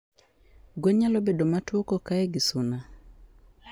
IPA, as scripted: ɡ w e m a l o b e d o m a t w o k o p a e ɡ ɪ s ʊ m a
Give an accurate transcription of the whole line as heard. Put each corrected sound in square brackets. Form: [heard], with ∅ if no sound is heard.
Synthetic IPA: ɡ w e [ɲ] a l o b e d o m a t w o k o [k] a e ɡ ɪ s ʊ [n] a